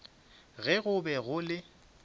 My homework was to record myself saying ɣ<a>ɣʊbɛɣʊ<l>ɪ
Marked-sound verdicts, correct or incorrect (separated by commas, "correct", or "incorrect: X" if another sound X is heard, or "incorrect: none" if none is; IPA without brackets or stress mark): incorrect: ɛ, correct